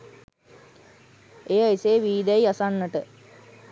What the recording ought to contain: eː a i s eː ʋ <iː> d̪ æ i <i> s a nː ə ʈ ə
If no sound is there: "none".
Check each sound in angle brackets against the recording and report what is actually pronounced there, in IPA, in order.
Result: iː, a

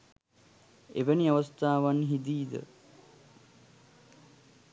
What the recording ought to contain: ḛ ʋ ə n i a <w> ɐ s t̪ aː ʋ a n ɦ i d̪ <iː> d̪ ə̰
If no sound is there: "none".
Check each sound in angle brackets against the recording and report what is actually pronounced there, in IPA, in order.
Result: ʋ, iː

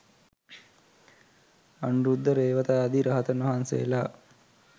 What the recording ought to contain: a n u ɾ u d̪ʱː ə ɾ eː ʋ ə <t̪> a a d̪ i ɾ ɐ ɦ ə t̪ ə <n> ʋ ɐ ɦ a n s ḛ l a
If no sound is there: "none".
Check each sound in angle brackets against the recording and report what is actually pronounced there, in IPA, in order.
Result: t̪, n

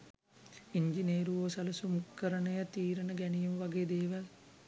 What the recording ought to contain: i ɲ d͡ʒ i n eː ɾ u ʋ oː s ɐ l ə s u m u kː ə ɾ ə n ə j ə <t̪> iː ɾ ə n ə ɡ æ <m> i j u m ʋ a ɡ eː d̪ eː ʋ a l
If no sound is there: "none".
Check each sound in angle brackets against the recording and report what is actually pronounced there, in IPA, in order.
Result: t̪, n

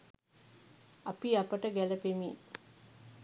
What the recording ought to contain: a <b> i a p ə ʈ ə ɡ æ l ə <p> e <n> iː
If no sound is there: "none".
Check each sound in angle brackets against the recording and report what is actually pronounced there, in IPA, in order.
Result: p, p, m

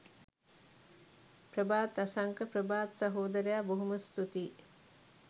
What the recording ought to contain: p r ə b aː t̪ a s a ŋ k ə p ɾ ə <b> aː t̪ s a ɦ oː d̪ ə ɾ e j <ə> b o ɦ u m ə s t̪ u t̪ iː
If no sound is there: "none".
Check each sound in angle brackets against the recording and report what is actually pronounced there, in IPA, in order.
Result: b, a

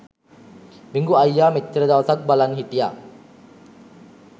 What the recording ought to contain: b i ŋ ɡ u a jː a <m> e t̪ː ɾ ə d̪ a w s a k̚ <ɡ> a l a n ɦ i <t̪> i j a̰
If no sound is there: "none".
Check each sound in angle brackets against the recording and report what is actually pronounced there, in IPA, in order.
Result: m, b, t̪

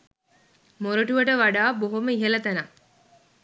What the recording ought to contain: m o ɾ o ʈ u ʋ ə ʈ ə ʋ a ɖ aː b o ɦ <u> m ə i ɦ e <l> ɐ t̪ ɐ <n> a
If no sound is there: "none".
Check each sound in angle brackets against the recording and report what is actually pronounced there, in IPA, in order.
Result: o, l, n

